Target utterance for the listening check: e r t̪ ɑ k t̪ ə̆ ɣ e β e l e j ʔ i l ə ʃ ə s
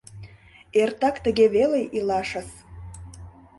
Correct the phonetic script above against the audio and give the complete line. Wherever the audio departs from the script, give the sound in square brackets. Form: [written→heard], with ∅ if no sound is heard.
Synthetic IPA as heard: e r t̪ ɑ k t̪ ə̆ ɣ e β e l e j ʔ i l [ə→ɑ] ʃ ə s